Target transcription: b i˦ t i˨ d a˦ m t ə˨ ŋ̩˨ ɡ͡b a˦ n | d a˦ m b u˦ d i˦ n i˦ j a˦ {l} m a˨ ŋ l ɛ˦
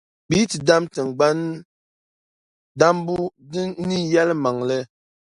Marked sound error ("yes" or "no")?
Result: no